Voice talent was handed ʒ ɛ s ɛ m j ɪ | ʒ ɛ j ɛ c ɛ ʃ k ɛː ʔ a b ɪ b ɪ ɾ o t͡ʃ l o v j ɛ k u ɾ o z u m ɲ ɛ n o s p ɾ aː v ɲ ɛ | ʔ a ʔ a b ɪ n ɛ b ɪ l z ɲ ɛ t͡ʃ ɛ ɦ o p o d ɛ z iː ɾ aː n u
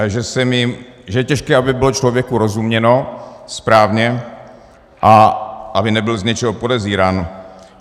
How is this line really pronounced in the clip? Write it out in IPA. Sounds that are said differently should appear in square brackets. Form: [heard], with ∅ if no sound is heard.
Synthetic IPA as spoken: ʒ ɛ s ɛ m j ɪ | ʒ ɛ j ɛ c ɛ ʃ k ɛː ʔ a b ɪ b ɪ [l] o t͡ʃ l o v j ɛ k u ɾ o z u m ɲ ɛ n o s p ɾ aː v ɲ ɛ | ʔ a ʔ a b ɪ n ɛ b ɪ l z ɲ ɛ t͡ʃ ɛ ɦ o p o d ɛ z iː ɾ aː n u